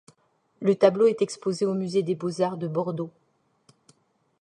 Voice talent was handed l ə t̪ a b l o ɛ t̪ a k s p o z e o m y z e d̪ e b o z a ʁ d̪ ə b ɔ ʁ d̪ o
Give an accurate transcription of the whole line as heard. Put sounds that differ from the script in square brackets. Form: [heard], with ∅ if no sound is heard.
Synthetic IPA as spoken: l ə t̪ a b l o ɛ t̪ [ɛ] k s p o z e o m y z e d̪ e b o z a ʁ d̪ ə b ɔ ʁ d̪ o